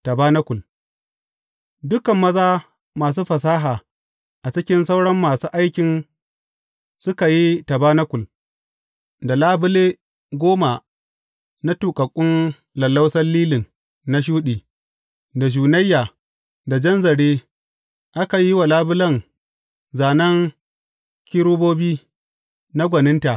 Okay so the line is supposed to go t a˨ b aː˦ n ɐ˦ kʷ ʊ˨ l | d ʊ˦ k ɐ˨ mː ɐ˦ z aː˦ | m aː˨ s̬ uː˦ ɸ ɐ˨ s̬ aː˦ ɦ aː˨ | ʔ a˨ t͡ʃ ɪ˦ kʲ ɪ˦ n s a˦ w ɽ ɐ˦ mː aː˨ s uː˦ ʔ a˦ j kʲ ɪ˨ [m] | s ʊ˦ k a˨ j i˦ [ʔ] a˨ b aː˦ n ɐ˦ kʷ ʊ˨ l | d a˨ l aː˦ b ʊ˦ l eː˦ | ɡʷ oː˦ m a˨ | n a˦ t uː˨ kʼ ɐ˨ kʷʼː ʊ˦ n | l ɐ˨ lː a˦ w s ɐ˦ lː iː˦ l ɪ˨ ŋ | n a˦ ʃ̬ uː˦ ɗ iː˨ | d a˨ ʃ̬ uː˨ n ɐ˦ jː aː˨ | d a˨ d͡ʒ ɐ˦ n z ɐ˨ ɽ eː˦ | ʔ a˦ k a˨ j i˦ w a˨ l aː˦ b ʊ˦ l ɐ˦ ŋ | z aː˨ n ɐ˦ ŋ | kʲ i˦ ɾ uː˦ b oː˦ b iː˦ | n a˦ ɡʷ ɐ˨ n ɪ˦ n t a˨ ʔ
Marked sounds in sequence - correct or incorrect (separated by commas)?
incorrect, incorrect